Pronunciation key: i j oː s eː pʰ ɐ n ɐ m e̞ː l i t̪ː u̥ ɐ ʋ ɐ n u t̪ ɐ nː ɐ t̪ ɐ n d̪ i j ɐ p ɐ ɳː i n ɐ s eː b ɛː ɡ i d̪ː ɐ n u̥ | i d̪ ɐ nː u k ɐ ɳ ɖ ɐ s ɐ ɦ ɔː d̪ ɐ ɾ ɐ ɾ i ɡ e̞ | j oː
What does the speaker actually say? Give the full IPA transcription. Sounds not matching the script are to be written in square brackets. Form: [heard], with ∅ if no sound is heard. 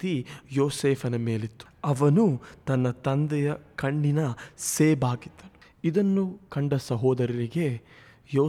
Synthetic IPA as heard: i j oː s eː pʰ ɐ n ɐ m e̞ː l i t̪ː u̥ ɐ ʋ ɐ n u t̪ ɐ nː ɐ t̪ ɐ n d̪ [ɛ] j ɐ [k] ɐ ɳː i n ɐ s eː b [aː] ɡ i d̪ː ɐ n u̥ | i d̪ ɐ nː u k ɐ ɳ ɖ ɐ s ɐ ɦ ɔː d̪ ɐ ɾ ɐ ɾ i ɡ e̞ | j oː